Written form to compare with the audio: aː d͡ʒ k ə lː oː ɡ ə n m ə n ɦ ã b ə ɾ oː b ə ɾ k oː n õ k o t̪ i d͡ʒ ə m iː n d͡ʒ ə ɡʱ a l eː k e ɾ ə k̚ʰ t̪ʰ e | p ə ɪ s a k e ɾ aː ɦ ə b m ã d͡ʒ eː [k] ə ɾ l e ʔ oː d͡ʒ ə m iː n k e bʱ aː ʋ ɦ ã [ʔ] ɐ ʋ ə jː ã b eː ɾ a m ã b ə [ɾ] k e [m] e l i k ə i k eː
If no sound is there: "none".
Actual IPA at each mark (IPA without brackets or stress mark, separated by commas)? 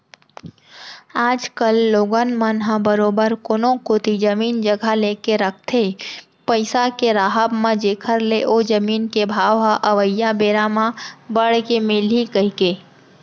kʰ, ʔ, ɽ, m